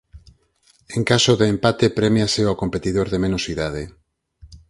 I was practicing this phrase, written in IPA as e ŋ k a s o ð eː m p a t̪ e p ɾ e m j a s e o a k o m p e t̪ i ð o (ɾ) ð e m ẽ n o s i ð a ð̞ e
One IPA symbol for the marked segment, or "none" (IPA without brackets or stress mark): ɾ